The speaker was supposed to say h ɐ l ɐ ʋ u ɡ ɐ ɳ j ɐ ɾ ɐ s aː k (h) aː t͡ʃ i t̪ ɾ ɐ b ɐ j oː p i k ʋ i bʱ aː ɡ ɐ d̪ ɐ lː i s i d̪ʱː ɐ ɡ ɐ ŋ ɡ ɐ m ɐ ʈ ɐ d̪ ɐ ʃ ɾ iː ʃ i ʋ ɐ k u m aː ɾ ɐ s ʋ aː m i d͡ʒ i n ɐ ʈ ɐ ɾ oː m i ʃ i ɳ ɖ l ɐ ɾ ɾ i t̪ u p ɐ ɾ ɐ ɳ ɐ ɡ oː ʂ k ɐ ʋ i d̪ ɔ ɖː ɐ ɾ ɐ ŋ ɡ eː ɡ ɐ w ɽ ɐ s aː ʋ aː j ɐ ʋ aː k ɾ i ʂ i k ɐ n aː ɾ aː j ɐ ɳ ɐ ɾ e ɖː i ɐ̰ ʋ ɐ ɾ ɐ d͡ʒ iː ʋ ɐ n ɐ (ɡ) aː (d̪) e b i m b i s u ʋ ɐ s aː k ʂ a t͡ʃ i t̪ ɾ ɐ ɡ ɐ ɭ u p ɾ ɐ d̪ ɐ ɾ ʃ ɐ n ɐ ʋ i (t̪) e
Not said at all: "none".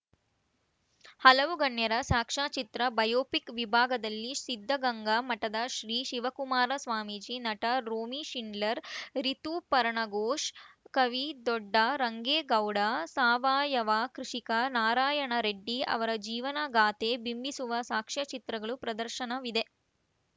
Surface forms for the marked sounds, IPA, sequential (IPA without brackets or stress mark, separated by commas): ʂ, ɡ, t̪, d̪